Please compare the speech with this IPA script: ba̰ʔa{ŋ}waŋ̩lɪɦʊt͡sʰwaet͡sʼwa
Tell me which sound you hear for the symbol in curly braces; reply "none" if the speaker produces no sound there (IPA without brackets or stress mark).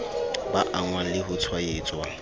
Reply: ŋ